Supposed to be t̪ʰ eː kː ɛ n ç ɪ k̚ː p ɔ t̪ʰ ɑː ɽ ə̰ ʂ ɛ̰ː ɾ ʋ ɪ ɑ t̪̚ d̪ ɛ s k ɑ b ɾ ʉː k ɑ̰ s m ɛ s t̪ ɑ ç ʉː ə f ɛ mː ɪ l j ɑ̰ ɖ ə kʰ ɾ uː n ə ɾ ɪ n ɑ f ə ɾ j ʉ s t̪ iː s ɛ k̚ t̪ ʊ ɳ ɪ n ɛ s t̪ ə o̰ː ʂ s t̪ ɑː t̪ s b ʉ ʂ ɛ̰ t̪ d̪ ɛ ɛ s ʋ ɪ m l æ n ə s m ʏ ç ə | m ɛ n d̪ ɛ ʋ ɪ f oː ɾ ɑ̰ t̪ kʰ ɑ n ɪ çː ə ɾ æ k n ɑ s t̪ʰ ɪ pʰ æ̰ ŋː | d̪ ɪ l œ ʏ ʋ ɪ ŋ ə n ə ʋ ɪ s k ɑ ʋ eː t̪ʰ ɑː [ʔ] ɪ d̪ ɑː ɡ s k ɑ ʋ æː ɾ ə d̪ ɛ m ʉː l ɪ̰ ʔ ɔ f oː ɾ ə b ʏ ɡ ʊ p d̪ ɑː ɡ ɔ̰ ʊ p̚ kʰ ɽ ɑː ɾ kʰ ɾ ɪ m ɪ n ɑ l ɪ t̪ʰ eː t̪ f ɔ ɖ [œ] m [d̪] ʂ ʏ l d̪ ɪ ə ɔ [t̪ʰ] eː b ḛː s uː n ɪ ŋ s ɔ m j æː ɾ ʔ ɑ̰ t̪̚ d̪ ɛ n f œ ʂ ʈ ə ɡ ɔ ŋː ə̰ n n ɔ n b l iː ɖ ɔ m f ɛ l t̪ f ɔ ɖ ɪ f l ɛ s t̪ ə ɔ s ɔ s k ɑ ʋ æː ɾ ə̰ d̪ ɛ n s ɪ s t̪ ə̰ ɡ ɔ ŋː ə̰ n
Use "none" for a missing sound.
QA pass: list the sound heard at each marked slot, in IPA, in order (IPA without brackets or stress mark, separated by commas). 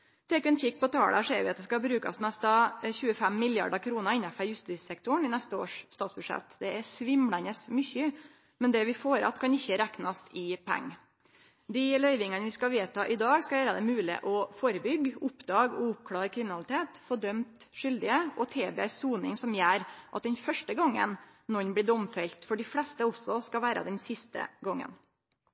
ʔ, œ, t̪, t̪ʰ